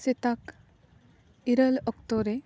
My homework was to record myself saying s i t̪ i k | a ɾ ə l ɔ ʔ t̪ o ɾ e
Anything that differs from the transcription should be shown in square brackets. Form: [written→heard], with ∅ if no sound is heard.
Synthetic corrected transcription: s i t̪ [i→a] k | [a→i] ɾ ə l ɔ [ʔ→k] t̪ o ɾ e